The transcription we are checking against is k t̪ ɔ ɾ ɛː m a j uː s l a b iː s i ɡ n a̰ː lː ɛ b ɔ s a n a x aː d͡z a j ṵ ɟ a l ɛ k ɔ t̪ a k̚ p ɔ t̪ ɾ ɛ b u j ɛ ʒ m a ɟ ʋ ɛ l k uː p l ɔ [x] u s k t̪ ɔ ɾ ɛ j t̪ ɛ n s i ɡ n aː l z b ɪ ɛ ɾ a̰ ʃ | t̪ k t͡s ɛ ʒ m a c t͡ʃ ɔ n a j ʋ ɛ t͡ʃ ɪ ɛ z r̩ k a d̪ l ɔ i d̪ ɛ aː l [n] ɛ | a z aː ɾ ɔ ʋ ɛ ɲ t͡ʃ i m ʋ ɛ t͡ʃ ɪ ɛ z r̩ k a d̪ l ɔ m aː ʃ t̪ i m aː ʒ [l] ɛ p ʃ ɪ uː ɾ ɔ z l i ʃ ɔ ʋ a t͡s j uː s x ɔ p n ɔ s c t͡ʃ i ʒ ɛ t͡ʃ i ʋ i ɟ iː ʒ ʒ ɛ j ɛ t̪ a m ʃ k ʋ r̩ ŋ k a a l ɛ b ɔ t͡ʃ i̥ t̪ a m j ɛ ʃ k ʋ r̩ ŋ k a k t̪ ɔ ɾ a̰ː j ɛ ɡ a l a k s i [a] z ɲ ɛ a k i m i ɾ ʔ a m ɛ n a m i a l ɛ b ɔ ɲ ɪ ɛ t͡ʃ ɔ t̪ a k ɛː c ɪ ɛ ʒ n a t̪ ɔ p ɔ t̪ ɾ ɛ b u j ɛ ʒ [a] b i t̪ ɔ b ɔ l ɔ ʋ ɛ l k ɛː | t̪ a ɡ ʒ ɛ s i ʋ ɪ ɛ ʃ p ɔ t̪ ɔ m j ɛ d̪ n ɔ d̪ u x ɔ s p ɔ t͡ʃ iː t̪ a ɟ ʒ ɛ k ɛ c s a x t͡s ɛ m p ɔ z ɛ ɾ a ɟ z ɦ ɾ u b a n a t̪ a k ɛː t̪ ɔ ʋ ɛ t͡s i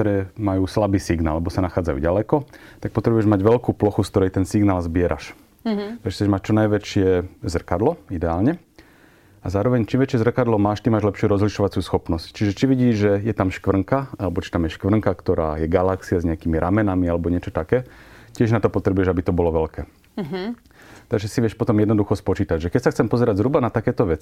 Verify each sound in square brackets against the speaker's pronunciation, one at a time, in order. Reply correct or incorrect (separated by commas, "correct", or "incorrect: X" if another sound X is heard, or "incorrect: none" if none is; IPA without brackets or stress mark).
correct, incorrect: ɲ, correct, correct, correct